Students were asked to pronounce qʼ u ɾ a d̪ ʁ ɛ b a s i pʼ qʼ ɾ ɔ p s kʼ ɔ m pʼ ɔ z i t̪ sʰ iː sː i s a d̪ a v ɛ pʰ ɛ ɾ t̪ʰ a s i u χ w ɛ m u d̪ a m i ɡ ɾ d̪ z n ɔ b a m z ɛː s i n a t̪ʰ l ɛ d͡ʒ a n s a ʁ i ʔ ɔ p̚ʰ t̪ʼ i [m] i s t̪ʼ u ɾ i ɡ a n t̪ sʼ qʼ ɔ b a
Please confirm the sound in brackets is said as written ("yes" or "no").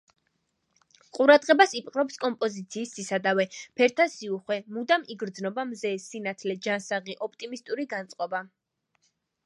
yes